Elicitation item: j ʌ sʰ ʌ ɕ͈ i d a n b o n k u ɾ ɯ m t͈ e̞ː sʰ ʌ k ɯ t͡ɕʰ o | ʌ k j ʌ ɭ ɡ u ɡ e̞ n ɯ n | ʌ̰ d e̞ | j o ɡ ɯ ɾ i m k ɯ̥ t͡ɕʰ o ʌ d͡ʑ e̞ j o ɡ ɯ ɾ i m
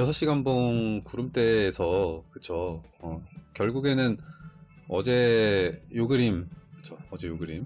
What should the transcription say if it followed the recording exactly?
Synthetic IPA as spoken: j ʌ sʰ ʌ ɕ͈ i ɡ a n b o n k u ɾ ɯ m t͈ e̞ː sʰ ʌ k ɯ t͡ɕʰ o | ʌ k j ʌ ɭ ɡ u ɡ e̞ n ɯ n | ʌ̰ d͡ʑ e̞ | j o ɡ ɯ ɾ i m k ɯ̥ t͡ɕʰ o ʌ d͡ʑ e̞ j o ɡ ɯ ɾ i m